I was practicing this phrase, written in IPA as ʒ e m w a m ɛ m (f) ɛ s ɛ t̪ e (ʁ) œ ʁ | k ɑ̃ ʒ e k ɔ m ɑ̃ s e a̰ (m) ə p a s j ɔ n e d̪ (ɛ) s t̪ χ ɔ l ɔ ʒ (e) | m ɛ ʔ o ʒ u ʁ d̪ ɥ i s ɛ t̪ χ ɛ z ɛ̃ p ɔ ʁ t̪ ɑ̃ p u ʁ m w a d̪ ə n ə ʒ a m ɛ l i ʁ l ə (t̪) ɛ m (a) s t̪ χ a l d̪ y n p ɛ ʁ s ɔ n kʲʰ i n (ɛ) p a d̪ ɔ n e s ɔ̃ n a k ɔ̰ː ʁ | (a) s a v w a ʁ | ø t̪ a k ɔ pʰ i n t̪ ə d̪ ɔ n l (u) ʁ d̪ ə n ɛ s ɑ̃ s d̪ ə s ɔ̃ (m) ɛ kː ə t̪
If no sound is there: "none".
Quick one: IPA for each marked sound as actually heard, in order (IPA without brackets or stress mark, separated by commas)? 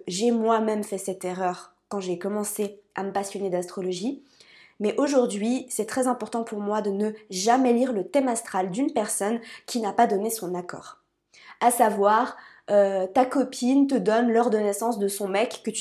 f, ʁ, m, a, i, t̪, a, a, a, ɔ, m